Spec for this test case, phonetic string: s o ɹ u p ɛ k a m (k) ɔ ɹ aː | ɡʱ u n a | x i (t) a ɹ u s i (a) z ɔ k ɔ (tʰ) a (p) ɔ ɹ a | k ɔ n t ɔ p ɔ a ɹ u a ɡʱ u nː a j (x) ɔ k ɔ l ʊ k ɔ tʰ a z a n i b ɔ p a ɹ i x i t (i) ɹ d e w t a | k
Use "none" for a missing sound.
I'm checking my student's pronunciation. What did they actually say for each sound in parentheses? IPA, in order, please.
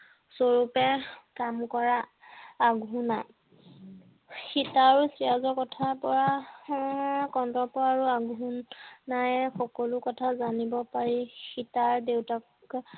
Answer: k, t, a, tʰ, p, x, a

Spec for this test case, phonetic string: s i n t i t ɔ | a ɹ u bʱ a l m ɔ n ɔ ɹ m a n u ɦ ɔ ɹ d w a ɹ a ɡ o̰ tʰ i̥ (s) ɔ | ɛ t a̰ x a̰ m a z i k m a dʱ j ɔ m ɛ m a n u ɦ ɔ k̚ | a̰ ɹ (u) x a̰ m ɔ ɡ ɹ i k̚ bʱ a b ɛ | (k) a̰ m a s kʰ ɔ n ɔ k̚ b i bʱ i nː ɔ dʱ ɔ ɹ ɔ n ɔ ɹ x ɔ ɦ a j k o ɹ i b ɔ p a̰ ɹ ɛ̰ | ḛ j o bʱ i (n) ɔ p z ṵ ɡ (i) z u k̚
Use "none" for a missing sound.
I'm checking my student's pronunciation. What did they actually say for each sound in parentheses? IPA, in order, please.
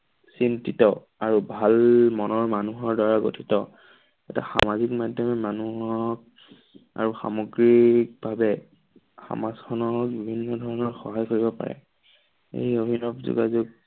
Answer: t, u, x, n, a

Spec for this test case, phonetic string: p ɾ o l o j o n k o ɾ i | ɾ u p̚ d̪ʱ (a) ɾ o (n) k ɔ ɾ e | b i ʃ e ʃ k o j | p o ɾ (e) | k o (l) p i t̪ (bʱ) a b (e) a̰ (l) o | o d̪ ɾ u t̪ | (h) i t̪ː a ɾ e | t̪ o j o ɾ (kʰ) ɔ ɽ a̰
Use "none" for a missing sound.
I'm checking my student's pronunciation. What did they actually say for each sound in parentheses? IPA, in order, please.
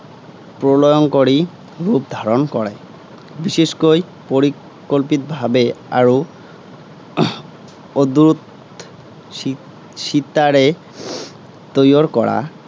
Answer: a, n, i, l, bʱ, e, ɾ, ʃ, k

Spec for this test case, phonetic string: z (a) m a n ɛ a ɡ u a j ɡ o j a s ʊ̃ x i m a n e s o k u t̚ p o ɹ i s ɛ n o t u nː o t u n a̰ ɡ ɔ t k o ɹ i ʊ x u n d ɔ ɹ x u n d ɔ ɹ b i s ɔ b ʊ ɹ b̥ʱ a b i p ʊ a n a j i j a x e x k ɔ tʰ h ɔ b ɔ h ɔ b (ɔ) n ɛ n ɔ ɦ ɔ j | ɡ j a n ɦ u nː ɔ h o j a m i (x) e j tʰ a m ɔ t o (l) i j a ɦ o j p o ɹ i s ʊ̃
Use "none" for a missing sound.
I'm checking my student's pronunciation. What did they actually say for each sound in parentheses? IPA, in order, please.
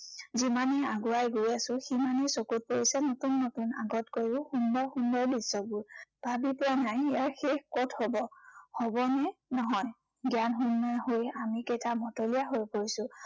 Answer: i, ɔ, k, l

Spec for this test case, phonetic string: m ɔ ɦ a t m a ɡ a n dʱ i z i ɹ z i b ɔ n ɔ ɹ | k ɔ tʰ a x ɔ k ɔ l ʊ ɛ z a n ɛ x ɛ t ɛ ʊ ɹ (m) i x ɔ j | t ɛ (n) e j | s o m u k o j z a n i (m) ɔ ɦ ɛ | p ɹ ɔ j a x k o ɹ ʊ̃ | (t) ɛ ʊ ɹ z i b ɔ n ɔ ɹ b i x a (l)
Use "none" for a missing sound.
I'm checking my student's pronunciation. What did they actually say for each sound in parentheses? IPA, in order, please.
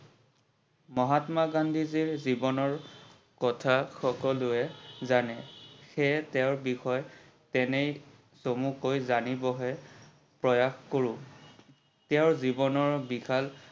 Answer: b, n, b, t, l

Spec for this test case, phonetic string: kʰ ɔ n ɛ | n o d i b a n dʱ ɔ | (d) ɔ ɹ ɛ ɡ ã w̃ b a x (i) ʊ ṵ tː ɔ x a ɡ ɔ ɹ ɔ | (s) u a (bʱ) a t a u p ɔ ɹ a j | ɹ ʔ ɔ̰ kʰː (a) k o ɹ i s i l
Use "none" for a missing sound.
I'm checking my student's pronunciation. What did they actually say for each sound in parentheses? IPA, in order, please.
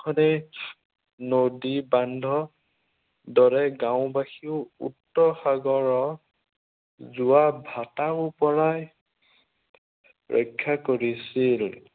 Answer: d, i, z, bʱ, a

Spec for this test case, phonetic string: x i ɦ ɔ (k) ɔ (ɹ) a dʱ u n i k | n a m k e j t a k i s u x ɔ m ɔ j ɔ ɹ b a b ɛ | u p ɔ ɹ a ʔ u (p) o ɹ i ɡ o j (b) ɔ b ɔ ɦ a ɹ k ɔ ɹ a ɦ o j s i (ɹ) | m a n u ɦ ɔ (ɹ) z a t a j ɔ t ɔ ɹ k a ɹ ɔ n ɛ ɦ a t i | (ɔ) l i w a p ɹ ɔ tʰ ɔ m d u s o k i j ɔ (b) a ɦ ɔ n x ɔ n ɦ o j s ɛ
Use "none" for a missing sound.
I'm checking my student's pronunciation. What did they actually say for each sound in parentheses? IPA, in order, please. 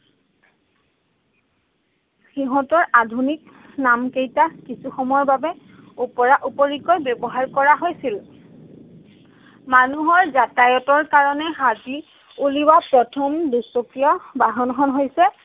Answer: t, ɹ, p, b, l, ɹ, u, b

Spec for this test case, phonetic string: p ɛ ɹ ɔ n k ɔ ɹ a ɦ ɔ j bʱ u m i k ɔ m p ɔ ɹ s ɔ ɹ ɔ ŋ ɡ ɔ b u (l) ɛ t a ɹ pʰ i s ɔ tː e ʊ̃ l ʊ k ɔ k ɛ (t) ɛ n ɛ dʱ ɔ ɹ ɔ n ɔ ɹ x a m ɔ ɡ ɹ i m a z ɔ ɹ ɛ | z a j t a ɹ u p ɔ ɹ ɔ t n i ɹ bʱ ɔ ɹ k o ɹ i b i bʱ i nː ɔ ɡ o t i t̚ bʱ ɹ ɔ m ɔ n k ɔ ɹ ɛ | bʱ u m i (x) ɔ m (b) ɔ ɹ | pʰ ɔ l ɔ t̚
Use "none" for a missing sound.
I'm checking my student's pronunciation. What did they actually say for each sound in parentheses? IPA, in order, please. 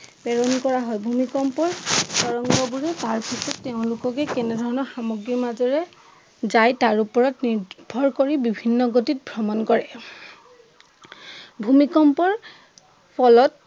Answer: ɹ, k, k, p

